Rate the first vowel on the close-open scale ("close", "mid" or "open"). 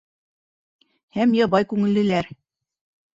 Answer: open